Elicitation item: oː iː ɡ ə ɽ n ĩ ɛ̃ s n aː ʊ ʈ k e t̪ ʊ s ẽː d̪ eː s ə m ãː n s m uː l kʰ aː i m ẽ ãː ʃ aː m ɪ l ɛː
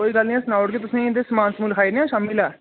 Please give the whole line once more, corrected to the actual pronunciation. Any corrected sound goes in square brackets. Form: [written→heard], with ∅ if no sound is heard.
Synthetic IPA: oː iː ɡ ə [ɽ→l] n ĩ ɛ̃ s n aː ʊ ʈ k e t̪ ʊ s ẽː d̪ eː s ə m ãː n s m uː l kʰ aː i [m→n] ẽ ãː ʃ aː m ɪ l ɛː